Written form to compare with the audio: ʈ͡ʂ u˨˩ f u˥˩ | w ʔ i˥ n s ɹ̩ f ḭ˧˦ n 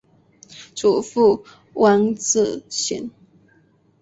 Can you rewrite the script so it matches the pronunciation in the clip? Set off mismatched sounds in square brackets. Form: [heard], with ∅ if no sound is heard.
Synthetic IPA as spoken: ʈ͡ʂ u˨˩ f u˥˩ | w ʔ [a˥] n [t͡s] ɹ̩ [ɕ] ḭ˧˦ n